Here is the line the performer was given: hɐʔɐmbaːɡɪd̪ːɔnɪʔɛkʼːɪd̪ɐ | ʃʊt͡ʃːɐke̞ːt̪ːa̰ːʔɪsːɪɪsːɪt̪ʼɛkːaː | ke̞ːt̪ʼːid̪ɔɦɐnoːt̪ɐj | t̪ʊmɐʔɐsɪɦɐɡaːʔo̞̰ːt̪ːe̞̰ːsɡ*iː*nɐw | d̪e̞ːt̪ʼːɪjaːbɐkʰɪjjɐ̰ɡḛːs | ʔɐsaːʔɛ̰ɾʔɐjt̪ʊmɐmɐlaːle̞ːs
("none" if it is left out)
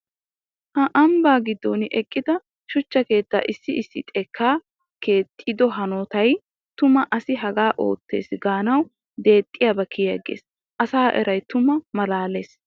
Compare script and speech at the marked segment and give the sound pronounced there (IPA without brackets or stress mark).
aː